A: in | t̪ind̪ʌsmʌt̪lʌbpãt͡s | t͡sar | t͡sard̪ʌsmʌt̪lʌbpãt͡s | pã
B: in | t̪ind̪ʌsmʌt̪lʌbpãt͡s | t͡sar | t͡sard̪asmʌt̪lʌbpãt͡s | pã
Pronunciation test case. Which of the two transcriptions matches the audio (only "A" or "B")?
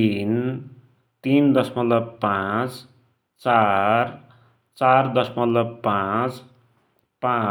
A